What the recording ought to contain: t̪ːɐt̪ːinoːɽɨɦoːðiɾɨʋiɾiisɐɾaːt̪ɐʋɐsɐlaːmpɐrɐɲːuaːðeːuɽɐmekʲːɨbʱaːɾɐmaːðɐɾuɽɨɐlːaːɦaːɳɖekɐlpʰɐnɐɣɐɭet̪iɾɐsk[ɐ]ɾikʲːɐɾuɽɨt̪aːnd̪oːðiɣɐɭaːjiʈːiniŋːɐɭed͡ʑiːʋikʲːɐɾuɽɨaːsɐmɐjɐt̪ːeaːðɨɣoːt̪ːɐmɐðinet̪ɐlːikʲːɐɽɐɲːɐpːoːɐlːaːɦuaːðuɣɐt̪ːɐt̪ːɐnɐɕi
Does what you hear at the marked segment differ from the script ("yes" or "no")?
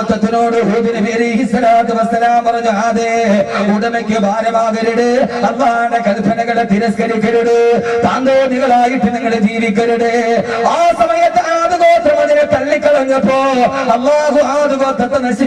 no